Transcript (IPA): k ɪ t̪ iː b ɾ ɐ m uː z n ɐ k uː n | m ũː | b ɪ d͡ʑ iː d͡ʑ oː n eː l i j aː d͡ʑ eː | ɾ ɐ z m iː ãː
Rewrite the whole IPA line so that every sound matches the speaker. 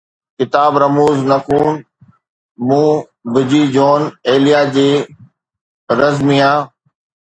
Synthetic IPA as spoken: k ɪ t̪ aː b ɾ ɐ m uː z n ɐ k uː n | m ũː | b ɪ d͡ʑ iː d͡ʑ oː n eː l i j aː d͡ʑ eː | ɾ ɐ z m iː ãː